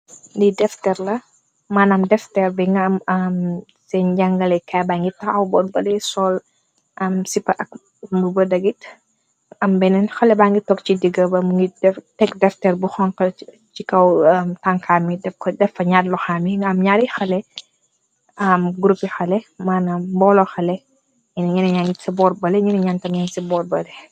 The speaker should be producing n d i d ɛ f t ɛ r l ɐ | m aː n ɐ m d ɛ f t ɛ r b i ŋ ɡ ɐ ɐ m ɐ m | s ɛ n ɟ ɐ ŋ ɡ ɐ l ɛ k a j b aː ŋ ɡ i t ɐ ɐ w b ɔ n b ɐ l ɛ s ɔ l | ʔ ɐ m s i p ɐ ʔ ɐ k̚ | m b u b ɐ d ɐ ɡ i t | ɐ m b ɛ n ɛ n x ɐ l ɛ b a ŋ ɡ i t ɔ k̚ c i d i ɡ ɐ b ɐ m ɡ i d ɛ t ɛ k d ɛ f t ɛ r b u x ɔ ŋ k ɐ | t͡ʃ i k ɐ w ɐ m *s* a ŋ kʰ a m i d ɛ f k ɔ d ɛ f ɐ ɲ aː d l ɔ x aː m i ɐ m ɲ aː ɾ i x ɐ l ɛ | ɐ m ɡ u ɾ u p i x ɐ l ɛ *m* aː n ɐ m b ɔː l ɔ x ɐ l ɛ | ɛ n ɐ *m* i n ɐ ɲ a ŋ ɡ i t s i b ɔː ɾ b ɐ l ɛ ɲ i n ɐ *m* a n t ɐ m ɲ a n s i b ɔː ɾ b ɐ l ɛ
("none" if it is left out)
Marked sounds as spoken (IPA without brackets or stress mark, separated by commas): t, m, ɲ, ɲ